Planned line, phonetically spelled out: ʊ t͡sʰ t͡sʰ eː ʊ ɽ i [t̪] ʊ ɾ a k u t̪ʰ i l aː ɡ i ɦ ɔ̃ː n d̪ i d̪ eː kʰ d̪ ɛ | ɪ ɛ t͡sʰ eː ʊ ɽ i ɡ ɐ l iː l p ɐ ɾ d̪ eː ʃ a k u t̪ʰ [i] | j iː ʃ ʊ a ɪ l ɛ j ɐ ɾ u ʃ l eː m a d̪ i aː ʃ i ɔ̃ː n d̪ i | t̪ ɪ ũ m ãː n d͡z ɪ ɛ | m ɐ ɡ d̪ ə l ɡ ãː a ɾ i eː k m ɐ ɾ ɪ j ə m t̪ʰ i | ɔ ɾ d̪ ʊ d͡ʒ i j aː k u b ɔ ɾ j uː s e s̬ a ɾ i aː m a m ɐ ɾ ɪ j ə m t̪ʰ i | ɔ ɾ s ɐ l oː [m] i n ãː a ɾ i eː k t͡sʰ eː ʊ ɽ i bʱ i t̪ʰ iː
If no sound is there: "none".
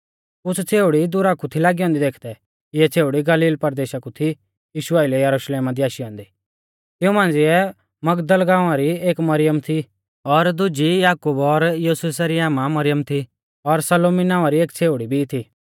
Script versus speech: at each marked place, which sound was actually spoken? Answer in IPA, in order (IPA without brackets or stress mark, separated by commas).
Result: d̪, i, m